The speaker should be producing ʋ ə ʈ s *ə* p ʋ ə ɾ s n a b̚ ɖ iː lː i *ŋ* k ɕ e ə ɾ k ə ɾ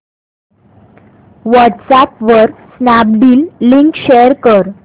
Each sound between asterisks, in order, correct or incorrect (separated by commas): incorrect, correct